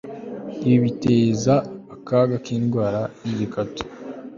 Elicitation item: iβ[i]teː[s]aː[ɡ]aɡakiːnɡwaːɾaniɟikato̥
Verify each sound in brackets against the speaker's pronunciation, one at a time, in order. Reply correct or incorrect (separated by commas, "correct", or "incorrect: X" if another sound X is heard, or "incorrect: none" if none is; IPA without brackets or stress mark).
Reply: correct, incorrect: z, incorrect: k